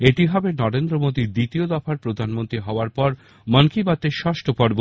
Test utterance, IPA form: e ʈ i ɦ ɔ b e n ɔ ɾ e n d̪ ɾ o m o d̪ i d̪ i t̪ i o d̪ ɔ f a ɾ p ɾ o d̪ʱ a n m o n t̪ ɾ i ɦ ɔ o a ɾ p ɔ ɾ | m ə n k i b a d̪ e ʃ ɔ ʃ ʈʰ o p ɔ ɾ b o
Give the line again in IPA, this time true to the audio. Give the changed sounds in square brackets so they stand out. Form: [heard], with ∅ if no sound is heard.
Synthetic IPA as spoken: e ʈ i ɦ ɔ b e n ɔ ɾ e n d̪ ɾ o m o d̪ i d̪ i t̪ i o d̪ ɔ f a ɾ p ɾ o d̪ʱ a n m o n t̪ ɾ i ɦ ɔ o a ɾ p ɔ ɾ | m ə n k i b a [t̪] e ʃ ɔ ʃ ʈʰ o p ɔ ɾ b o